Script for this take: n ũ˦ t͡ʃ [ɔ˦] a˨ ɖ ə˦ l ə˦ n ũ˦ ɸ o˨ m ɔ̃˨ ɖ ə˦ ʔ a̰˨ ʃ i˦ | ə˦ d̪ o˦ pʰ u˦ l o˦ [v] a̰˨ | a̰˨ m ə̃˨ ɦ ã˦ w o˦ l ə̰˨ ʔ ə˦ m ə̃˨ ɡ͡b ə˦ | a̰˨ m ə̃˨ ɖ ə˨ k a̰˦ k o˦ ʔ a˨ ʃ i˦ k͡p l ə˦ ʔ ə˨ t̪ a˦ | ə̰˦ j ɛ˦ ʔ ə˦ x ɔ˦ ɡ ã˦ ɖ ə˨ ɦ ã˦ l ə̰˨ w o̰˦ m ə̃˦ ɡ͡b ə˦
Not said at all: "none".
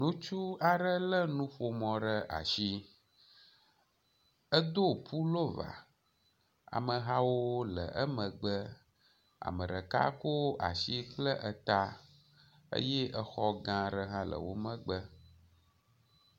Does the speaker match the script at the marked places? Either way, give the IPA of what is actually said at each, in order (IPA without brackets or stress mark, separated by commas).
u˦, v